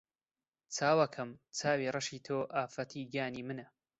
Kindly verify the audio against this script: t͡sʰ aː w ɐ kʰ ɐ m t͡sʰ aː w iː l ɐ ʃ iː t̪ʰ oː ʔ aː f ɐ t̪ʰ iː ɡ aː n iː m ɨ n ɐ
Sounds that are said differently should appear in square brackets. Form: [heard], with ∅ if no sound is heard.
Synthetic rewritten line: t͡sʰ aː w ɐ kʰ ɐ m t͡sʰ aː w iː [r] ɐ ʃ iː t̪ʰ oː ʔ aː f ɐ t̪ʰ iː ɡ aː n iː m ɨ n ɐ